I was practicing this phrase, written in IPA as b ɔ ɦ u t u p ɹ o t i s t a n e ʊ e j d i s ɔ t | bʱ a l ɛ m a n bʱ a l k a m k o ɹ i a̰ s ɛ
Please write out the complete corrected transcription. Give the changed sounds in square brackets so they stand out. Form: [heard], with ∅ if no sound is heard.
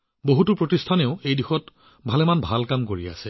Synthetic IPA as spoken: b [o] ɦ u t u p ɹ o t i s [tʰ] a n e ʊ e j d i [x] ɔ t | bʱ a l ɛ m a n bʱ a l k a m k o ɹ i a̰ s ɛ